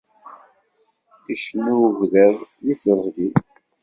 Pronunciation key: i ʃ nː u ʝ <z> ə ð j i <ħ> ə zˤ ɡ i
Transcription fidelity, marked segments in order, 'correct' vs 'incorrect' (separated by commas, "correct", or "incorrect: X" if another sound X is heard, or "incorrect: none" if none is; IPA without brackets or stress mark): incorrect: ð, incorrect: θ